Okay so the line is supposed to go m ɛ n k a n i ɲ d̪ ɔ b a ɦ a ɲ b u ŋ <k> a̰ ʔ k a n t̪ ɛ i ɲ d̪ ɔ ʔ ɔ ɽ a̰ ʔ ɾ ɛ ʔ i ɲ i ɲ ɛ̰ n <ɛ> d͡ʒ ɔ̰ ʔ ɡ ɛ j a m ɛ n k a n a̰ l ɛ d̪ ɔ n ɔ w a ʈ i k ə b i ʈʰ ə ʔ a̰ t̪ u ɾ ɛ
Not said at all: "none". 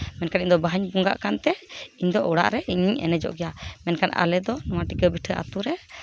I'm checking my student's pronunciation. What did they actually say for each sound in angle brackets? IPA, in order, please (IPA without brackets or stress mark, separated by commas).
ɡ, ɛ